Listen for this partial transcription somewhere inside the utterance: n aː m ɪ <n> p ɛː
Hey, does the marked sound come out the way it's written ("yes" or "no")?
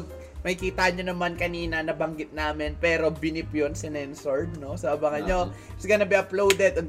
yes